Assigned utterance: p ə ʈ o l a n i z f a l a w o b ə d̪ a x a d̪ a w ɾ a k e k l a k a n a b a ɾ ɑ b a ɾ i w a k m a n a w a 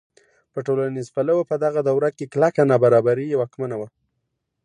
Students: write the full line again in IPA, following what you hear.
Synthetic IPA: p ə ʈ o l a n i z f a l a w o p ə d̪ a ɣ a d̪ a w ɾ a k e k l a k a n a b a ɾ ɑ b a ɾ i w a k m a n a w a